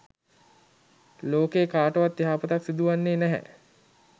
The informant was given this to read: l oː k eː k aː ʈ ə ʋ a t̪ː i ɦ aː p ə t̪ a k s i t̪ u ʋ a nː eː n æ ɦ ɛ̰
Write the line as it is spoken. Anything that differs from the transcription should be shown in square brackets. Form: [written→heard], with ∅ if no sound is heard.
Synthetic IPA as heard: l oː k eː k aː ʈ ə ʋ a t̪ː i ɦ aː p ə t̪ a k s i [t̪→d̪] u ʋ a nː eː n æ ɦ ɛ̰